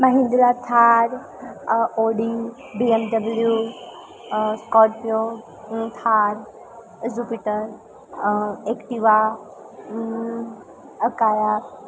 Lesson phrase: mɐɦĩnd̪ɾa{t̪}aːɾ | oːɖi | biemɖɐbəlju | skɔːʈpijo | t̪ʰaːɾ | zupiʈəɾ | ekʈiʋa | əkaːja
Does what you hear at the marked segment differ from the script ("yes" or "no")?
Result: yes